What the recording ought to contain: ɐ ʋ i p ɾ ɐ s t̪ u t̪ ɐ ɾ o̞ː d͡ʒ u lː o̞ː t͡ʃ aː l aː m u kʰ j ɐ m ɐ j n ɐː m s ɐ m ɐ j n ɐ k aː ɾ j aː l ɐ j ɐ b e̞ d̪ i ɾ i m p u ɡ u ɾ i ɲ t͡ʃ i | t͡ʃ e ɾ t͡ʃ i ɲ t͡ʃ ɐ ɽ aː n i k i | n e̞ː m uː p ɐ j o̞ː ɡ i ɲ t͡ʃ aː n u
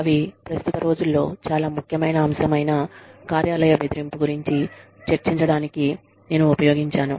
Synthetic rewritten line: ɐ ʋ i p ɾ ɐ s t̪ u t̪ ɐ ɾ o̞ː d͡ʒ u lː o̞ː t͡ʃ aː l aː m u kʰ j ɐ m ɐ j n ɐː m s ɐ m ɐ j n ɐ k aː ɾ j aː l ɐ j ɐ b e̞ d̪ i ɾ i m p u ɡ u ɾ i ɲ t͡ʃ i | t͡ʃ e ɾ t͡ʃ i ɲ t͡ʃ ɐ ɽ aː n i k i | n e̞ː n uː p ɐ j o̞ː ɡ i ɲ t͡ʃ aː n u